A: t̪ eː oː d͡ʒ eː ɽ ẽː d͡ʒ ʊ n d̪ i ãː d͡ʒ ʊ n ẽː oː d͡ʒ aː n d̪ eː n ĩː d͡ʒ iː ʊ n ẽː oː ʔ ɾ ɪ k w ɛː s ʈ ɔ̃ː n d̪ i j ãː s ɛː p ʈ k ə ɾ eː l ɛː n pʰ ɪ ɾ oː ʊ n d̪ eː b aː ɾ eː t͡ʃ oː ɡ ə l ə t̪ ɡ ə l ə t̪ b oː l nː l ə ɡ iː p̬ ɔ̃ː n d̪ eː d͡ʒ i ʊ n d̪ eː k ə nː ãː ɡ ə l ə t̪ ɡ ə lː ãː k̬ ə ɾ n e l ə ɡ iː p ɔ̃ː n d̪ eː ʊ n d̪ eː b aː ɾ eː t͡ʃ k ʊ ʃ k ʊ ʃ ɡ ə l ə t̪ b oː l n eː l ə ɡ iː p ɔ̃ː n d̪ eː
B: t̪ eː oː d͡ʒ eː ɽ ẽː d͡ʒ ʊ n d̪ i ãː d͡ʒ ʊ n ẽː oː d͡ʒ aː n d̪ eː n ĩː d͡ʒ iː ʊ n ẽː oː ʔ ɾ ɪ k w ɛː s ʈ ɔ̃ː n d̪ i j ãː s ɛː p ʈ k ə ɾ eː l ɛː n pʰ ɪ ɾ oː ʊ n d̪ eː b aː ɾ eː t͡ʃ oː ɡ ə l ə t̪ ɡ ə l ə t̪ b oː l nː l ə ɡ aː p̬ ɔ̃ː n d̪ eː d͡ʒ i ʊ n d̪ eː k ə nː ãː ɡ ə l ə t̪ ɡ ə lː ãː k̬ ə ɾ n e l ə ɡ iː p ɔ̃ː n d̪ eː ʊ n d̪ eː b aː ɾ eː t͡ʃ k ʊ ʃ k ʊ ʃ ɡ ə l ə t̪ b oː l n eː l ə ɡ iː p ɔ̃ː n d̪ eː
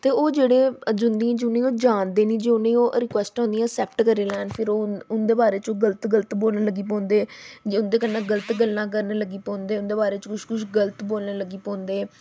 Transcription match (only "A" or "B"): A